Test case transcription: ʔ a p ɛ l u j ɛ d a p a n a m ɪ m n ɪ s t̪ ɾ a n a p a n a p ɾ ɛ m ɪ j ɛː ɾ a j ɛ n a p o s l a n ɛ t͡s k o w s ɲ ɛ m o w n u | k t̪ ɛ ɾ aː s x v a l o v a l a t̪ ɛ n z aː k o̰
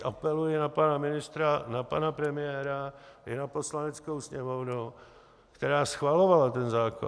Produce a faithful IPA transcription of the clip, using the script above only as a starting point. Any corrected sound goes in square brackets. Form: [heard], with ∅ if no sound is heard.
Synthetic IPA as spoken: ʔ a p ɛ l u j ɛ [n] a p a n a m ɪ [∅] n ɪ s t̪ ɾ a n a p a n a p ɾ ɛ m ɪ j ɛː ɾ a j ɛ n a p o s l a n ɛ t͡s k o w s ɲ ɛ m o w n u | k t̪ ɛ ɾ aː s x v a l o v a l a t̪ ɛ n z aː k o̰